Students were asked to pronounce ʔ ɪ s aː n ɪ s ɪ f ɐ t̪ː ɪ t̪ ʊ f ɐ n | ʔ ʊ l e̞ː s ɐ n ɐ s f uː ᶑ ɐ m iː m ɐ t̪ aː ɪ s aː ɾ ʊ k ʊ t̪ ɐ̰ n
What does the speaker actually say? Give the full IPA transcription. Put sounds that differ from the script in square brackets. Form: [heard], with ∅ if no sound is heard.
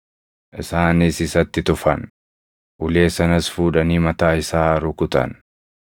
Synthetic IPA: ʔ ɪ s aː n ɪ s ɪ [s] ɐ t̪ː ɪ t̪ ʊ f ɐ n | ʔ ʊ l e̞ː s ɐ n ɐ s f uː ᶑ ɐ [n] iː m ɐ t̪ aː ɪ s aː ɾ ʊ k ʊ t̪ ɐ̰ n